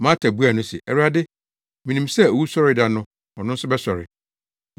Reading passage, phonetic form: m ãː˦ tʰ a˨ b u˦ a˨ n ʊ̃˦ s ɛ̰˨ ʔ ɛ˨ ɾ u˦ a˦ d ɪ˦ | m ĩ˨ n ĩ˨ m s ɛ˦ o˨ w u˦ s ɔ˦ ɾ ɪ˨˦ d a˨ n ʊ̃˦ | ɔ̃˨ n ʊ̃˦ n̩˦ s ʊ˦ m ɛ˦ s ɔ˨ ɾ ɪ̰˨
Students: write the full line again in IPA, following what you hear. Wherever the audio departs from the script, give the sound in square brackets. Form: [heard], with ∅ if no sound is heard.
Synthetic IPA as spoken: m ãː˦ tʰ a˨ b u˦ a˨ n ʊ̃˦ s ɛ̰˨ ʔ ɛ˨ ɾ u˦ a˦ d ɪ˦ | m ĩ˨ n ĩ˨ m s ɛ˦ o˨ w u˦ s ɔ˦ ɾ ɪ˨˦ d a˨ n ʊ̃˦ | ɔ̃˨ n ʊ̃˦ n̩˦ s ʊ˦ [b] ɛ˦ s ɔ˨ ɾ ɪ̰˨